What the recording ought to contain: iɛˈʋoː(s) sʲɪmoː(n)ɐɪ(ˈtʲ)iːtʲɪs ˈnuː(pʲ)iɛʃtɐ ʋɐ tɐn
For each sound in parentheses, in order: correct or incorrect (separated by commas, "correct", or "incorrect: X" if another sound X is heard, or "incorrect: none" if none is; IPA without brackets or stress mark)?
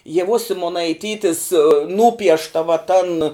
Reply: correct, correct, correct, correct